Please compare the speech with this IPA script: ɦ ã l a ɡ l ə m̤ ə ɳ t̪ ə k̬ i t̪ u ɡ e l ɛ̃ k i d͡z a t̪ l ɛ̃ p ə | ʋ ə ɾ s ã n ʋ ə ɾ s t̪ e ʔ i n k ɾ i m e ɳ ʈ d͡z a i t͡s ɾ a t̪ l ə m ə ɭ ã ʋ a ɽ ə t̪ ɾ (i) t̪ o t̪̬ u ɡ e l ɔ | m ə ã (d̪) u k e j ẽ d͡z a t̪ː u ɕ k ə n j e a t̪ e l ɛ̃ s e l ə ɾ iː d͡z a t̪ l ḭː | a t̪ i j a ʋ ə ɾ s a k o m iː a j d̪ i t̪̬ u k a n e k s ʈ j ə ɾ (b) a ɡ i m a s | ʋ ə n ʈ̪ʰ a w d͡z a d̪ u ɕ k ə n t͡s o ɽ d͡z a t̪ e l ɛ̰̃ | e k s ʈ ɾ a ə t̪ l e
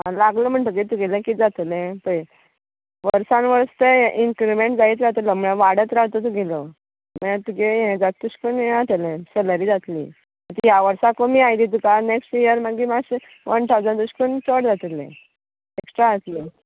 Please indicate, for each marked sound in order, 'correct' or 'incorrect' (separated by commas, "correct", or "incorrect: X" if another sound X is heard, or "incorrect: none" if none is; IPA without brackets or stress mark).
incorrect: a, incorrect: t̪, incorrect: m